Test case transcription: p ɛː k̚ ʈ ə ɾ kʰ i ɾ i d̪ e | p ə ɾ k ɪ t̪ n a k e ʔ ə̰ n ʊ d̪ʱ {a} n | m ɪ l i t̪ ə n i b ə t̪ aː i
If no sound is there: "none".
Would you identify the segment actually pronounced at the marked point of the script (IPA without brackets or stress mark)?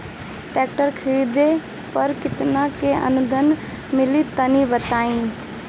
ə